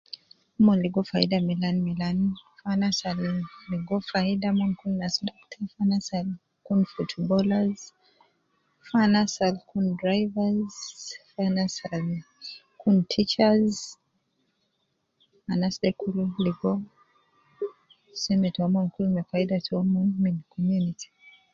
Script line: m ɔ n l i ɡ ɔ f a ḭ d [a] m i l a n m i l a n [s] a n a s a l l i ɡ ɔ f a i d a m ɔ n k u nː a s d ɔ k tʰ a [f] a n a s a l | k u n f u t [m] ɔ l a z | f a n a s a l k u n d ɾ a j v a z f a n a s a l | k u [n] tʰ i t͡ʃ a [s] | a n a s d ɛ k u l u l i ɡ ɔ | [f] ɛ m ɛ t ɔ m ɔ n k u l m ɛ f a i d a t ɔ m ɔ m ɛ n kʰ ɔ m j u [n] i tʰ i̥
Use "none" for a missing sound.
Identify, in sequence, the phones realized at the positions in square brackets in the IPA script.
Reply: a, f, f, b, n, z, s, n

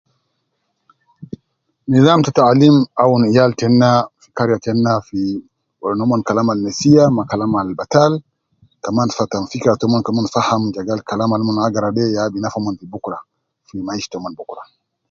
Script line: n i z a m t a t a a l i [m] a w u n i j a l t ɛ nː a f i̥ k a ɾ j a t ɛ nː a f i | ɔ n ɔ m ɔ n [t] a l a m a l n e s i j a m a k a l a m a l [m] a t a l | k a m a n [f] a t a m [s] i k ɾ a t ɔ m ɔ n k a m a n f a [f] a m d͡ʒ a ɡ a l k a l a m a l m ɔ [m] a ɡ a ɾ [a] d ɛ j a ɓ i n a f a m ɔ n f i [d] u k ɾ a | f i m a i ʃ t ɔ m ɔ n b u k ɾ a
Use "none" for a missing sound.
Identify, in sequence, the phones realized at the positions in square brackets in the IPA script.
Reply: m, k, b, f, f, h, n, a, b

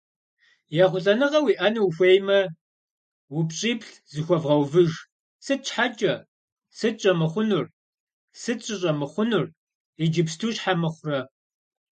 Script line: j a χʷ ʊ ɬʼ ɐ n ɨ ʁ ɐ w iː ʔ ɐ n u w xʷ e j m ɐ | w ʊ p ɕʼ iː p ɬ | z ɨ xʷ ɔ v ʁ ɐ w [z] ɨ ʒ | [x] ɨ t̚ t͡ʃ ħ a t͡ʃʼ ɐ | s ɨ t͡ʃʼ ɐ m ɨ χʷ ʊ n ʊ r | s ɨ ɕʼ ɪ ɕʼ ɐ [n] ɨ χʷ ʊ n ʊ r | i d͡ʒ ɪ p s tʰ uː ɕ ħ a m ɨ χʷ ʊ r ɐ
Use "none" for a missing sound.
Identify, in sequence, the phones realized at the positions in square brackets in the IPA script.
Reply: v, s, m

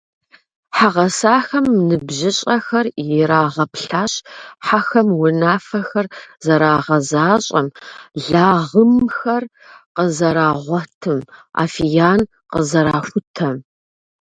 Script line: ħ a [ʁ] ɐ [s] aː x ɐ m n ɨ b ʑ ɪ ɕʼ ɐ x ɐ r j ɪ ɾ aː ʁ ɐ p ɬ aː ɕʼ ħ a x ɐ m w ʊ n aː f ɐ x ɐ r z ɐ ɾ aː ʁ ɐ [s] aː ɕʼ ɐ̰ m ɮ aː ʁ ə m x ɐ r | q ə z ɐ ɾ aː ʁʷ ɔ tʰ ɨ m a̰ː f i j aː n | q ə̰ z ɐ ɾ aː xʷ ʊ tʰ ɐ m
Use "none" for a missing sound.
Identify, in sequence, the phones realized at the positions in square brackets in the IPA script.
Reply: ʁ, s, z

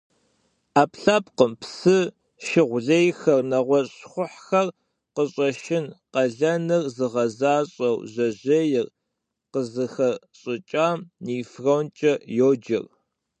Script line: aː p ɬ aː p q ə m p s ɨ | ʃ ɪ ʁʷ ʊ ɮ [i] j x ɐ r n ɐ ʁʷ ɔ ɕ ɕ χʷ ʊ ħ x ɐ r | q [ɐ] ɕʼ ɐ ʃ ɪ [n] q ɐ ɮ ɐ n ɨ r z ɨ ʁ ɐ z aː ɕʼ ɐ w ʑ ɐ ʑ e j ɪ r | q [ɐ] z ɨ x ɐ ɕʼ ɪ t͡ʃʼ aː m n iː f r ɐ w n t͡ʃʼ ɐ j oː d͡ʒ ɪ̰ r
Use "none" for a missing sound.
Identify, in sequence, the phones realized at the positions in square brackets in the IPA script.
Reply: e, ə, n, ə

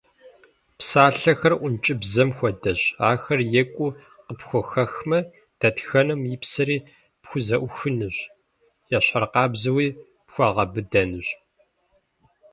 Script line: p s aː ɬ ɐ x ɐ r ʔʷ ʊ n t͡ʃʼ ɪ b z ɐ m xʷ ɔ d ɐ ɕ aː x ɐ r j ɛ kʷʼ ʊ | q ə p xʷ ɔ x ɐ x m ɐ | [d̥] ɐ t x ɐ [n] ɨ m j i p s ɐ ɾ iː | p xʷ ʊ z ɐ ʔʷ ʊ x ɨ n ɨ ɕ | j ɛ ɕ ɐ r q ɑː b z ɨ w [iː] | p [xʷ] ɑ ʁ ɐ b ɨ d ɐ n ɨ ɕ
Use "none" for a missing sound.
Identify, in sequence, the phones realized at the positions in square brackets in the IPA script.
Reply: d̥, n, iː, xʷ

